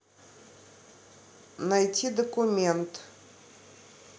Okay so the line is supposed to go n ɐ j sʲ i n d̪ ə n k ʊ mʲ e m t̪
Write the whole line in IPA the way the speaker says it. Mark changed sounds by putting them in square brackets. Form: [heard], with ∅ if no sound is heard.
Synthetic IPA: n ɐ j [tʲ] i [∅] d̪ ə [∅] k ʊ mʲ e [n] t̪